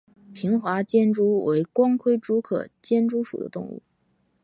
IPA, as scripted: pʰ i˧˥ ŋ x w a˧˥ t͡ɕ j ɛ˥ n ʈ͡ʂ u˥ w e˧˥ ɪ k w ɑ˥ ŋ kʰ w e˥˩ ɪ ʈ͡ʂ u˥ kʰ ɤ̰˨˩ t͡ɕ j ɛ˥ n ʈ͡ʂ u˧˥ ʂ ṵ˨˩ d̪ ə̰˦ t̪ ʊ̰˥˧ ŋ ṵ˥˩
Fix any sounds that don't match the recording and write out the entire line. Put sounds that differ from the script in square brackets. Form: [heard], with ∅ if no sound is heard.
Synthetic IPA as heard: pʰ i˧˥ ŋ x w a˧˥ t͡ɕ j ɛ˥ n ʈ͡ʂ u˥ w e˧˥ ɪ k w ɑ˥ ŋ kʰ w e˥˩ ɪ ʈ͡ʂ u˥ kʰ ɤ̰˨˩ t͡ɕ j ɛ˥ n ʈ͡ʂ [u˥] ʂ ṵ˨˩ d̪ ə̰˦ t̪ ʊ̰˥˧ ŋ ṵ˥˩

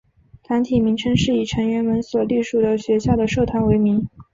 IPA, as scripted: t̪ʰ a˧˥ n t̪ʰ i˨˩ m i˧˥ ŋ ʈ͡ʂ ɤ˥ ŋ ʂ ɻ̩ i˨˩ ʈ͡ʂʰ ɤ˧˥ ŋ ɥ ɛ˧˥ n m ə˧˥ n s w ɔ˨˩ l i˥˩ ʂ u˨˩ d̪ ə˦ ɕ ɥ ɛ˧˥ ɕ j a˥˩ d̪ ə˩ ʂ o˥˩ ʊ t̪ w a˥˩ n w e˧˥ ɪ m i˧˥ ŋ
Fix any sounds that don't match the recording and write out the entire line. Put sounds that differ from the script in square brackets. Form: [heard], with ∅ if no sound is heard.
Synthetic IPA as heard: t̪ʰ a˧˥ n t̪ʰ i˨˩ m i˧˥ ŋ [ʈ͡ʂʰ] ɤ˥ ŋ ʂ ɻ̩ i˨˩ ʈ͡ʂʰ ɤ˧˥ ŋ ɥ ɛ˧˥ n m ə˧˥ n s w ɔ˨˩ l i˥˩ ʂ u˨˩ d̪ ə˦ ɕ ɥ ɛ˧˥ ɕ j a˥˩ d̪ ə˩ ʂ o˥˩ ʊ [t̪ʰ] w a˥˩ n w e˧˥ ɪ m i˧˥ ŋ

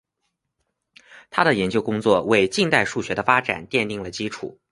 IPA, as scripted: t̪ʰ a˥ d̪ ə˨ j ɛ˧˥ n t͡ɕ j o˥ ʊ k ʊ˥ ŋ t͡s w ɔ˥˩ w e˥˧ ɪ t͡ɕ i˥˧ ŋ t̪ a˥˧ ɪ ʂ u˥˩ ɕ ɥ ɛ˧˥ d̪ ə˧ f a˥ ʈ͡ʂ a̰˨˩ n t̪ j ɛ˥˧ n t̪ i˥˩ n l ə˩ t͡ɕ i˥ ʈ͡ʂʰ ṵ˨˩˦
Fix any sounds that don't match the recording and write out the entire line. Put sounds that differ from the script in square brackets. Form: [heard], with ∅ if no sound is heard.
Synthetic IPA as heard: t̪ʰ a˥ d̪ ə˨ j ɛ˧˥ n t͡ɕ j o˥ ʊ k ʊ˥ ŋ t͡s w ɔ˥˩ w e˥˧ ɪ t͡ɕ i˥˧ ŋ t̪ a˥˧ ɪ ʂ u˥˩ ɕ ɥ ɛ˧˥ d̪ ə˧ f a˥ ʈ͡ʂ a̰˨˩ n t̪ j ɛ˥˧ n t̪ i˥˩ [ŋ] l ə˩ t͡ɕ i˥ ʈ͡ʂʰ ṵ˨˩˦

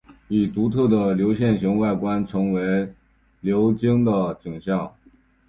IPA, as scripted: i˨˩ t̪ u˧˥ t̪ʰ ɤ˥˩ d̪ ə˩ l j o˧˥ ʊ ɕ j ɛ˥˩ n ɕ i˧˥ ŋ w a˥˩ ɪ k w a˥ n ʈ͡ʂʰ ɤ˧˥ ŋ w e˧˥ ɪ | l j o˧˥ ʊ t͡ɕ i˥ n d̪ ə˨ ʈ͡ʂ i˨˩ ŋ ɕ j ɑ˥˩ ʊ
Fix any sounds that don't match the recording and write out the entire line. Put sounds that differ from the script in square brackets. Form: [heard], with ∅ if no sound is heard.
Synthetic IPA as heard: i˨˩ t̪ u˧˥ t̪ʰ ɤ˥˩ d̪ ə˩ l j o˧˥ ʊ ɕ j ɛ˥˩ n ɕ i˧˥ ŋ w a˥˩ ɪ k w a˥ n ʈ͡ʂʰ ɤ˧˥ ŋ w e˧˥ ɪ | l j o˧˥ ʊ t͡ɕ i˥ [ŋ] d̪ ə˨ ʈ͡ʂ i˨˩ ŋ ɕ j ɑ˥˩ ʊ

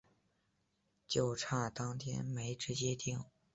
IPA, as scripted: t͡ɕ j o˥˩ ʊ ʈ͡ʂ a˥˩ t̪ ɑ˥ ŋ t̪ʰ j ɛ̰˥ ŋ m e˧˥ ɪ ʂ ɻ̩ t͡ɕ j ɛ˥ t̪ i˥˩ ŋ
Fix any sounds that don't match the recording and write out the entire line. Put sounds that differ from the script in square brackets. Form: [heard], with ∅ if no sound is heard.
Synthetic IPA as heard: t͡ɕ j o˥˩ ʊ [ʈ͡ʂʰ] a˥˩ t̪ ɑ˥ ŋ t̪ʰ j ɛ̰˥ [n] m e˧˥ ɪ [ʈ͡ʂ] ɻ̩ t͡ɕ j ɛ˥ t̪ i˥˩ ŋ

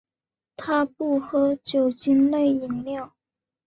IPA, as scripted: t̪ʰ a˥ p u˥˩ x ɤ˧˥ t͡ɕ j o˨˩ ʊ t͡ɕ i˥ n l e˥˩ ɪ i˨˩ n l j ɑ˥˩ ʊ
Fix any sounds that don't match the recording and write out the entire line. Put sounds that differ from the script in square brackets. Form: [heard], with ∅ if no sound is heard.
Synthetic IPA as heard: t̪ʰ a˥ p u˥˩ x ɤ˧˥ t͡ɕ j o˨˩ ʊ t͡ɕ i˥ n l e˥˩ ɪ i˨˩ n l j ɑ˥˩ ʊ

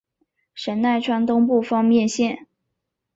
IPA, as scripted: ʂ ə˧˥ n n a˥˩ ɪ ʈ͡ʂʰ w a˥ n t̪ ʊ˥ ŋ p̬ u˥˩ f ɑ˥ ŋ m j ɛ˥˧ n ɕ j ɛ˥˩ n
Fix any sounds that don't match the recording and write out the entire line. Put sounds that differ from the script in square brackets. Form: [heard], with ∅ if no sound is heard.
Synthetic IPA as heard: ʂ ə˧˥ n n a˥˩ ɪ ʈ͡ʂʰ w a˥ n t̪ ʊ˥ ŋ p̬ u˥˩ f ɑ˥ ŋ m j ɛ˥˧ n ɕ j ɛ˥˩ n

